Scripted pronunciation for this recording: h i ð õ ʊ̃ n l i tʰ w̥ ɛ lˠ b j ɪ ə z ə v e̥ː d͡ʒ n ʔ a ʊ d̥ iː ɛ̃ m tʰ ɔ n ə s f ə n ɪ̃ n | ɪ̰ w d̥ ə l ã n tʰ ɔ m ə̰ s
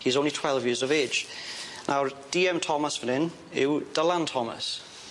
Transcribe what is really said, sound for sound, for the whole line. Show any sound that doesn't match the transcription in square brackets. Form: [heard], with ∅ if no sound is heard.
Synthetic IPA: h i [z] õ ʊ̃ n l i tʰ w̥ ɛ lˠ [v] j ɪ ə z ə v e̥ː d͡ʒ n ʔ a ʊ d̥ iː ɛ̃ m tʰ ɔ [m] ə s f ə n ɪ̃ n | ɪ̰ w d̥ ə l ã n tʰ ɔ m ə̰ s